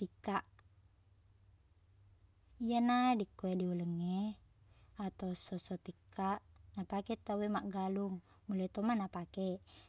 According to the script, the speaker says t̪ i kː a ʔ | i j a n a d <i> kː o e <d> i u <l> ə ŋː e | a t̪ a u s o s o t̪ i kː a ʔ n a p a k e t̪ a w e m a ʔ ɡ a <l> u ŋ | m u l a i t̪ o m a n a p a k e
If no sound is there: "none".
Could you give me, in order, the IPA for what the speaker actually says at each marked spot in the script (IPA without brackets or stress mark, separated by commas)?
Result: i, d, l, l